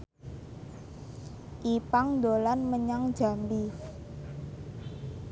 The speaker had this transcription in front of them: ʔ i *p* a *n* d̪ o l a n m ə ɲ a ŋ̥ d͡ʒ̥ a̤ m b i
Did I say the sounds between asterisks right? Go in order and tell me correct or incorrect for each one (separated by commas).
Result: correct, incorrect